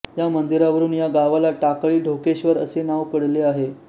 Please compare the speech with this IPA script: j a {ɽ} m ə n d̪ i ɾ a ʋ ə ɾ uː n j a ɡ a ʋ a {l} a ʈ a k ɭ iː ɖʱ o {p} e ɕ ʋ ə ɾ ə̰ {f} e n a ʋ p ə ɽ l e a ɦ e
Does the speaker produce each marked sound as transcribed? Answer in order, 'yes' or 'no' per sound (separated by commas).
no, yes, no, no